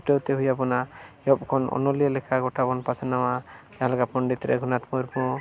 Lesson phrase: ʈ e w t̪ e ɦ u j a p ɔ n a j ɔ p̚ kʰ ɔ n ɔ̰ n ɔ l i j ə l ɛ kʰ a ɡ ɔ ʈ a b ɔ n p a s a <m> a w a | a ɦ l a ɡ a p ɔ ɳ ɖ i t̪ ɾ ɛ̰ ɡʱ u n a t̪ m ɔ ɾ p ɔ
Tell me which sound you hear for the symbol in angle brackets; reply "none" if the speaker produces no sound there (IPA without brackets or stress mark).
n